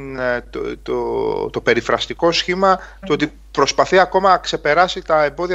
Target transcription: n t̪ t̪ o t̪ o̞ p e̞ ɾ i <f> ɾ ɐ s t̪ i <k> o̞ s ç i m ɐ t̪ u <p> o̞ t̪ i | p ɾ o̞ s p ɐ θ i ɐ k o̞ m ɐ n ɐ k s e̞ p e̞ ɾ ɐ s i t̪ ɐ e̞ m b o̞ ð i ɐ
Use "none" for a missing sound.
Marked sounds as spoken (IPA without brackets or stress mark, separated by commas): f, k, none